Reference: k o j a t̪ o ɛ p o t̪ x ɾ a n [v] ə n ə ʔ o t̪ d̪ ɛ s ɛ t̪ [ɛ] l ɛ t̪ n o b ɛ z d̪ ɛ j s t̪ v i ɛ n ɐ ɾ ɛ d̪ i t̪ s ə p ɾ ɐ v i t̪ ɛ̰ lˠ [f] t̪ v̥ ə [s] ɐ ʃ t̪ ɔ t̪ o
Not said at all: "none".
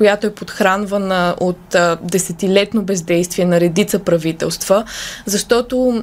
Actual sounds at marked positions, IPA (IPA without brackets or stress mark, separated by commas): v, i, s, z